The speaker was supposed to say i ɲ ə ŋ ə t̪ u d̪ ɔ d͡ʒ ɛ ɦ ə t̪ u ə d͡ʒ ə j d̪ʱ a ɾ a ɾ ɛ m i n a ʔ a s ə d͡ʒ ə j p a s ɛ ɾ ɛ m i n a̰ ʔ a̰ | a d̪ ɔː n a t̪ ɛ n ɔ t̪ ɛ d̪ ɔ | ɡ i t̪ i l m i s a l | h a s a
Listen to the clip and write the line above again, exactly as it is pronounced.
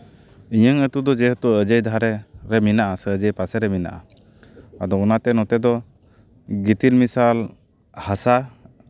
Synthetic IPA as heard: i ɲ ə ŋ ə t̪ u d̪ ɔ d͡ʒ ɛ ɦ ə t̪ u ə d͡ʒ ə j d̪ʱ a ɾ ɛ ɾ ɛ m i n a ʔ a s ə d͡ʒ ə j p a s ɛ ɾ ɛ m i n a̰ ʔ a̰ | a d̪ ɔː n a t̪ ɛ n ɔ t̪ ɛ d̪ ɔ | ɡ i t̪ i l m i s a l | h a s a